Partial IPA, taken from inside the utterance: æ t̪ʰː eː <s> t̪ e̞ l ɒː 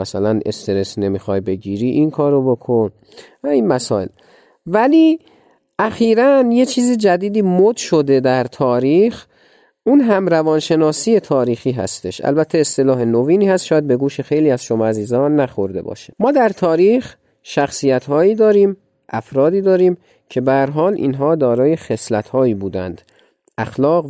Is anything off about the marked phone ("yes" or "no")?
no